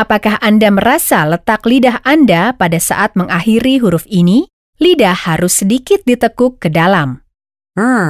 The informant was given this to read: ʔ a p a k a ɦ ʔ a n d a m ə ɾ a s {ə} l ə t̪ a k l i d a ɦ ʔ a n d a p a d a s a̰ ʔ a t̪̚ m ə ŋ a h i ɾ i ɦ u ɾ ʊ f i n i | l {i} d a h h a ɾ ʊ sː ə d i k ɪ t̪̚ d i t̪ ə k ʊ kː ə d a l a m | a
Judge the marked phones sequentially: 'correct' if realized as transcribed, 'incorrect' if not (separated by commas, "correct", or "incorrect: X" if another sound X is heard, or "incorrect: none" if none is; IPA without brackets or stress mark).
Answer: incorrect: a, correct